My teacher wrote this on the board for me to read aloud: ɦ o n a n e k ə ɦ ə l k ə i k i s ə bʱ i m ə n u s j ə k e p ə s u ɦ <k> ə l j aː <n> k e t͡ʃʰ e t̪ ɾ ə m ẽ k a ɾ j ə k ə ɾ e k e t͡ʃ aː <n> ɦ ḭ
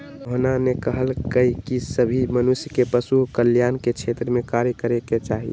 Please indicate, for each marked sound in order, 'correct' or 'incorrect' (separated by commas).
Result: correct, correct, incorrect